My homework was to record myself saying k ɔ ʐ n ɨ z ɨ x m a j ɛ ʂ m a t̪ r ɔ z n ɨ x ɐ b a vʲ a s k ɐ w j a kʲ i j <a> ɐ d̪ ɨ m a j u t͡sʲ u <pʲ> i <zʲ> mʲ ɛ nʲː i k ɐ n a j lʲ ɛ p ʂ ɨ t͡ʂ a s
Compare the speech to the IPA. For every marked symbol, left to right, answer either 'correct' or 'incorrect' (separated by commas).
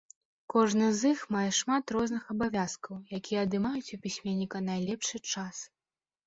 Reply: incorrect, correct, incorrect